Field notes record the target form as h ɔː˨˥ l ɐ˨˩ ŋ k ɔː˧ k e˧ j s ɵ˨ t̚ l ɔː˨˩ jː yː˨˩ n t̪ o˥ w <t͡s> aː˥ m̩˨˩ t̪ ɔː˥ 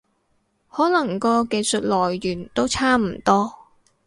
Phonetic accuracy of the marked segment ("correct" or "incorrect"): incorrect